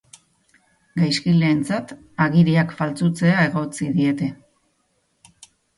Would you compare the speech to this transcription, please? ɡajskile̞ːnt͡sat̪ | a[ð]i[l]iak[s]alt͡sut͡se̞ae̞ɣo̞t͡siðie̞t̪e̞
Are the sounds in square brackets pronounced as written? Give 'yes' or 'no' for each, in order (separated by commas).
no, no, no